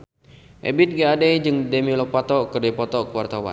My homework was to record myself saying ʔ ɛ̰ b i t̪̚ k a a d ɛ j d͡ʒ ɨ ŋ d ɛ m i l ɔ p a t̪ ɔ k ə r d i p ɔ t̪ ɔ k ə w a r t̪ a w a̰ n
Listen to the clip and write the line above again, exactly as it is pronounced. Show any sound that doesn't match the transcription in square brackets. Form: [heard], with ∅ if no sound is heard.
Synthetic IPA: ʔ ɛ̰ b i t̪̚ [ɡ] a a d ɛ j d͡ʒ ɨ ŋ d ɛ m i l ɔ p a t̪ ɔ k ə r d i p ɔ t̪ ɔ k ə w a r t̪ a w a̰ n